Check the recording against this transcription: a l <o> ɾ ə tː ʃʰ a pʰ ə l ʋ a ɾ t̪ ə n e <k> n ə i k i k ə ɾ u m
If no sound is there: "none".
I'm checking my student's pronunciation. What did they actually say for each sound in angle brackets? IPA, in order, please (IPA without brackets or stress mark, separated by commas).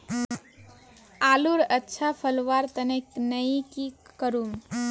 u, k